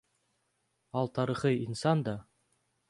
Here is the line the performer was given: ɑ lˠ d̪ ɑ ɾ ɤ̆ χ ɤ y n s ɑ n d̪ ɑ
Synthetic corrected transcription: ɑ lˠ t̪ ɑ ɾ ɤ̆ χ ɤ i n s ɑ n d̪ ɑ

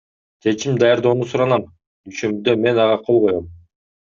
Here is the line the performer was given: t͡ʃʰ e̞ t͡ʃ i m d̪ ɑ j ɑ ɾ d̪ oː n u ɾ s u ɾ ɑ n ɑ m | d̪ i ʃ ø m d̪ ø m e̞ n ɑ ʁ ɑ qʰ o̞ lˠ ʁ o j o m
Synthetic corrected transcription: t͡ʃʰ e̞ t͡ʃ i m d̪ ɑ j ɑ ɾ d̪ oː n u s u ɾ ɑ n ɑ m | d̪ y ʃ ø m d̪ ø m e̞ n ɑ ʁ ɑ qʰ o̞ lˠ ʁ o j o m

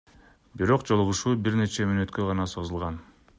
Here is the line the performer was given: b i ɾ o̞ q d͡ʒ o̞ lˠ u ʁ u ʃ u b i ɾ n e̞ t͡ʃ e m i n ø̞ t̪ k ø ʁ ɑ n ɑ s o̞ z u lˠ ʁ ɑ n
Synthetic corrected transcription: b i ɾ o̞ q d͡ʒ o̞ lˠ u ʁ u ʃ uː b i ɾ n e̞ t͡ʃ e m y n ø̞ t̪ k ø ʁ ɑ n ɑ s o̞ z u lˠ ʁ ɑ n

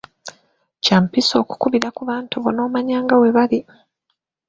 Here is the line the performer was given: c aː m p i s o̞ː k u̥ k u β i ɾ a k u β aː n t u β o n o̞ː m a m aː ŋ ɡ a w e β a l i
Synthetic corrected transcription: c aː m p i s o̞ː k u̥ k u β i ɾ a k u β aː n t u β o n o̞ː m a ɲ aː ŋ ɡ a w e β a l i

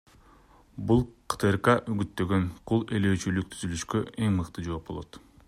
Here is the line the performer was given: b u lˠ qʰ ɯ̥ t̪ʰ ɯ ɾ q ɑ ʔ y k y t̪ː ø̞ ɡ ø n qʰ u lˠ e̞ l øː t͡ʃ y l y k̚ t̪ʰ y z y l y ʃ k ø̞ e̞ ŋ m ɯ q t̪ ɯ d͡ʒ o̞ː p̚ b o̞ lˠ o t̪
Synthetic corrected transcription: b u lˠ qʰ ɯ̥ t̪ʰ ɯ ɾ q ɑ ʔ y ɡ y t̪ː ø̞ ɡ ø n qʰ u lˠ e̞ l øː t͡ʃ y l y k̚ t̪ʰ y z y l y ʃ k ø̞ e̞ ŋ m ɯ q t̪ ɯ d͡ʒ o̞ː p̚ b o̞ lˠ o t̪

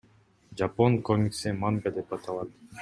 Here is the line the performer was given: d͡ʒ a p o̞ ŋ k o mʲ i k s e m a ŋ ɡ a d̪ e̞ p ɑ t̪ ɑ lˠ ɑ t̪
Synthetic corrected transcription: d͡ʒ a p o̞ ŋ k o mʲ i k s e m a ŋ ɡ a d̪ e̞ p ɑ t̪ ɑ lˠ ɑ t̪

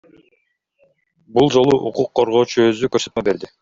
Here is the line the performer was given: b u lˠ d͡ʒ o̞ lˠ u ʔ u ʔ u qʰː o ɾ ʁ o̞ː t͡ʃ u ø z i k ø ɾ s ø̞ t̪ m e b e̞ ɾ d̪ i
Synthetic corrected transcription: b u lˠ d͡ʒ o̞ lˠ u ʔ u q u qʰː o ɾ ʁ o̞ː t͡ʃ u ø z y k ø ɾ s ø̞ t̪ m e b e̞ ɾ d̪ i

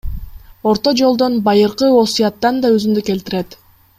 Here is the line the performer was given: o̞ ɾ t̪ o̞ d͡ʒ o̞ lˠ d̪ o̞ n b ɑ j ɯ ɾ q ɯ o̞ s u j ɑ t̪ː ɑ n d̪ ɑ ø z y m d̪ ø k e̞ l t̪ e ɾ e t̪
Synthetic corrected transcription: o̞ ɾ t̪ o̞ d͡ʒ o̞ lˠ d̪ o̞ n b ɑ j ɯ ɾ q ɯ o̞ s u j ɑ t̪ː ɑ n d̪ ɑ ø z y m d̪ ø k e̞ l t̪ i ɾ e t̪

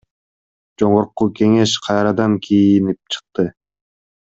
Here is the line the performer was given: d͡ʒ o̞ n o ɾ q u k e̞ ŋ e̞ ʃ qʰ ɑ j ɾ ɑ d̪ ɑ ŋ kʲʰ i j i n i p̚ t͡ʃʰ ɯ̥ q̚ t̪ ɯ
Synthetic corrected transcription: d͡ʒ o̞ ɴ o ɾ q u k e̞ ŋ e̞ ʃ qʰ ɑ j ɾ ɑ d̪ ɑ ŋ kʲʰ i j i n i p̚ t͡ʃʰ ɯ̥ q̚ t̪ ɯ

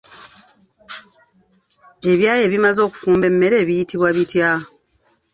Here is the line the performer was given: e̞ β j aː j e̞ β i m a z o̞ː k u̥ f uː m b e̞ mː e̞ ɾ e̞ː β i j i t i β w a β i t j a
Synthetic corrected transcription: e̞ β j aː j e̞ β i m a z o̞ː k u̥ f uː m b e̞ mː e̞ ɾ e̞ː β i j i t i β w a β i t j a

